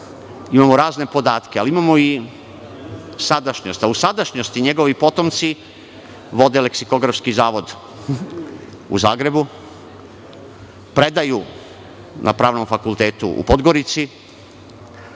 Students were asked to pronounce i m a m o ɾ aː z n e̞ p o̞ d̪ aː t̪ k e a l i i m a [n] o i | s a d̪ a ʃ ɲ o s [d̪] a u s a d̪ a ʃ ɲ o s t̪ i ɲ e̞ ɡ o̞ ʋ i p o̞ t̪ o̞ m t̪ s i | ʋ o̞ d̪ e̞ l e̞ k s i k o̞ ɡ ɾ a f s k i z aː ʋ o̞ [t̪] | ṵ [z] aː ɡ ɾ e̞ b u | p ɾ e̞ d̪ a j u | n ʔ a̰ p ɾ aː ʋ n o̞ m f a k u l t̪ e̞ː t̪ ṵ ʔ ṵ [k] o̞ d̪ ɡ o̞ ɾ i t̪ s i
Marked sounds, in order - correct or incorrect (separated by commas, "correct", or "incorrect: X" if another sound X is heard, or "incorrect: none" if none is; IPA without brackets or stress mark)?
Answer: incorrect: m, incorrect: t̪, incorrect: d̪, correct, incorrect: p